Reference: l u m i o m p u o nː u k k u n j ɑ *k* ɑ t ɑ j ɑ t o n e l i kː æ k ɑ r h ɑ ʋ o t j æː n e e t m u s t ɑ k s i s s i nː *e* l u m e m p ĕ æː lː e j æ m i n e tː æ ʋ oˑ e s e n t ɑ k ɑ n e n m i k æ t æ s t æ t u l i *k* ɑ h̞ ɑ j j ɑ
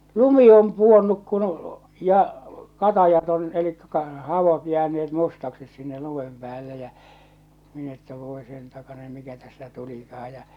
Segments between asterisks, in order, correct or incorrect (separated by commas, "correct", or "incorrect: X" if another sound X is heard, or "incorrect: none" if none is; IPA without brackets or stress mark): correct, correct, correct